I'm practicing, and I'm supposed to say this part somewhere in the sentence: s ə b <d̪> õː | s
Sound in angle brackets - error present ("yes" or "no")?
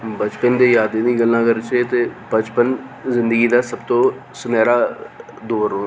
yes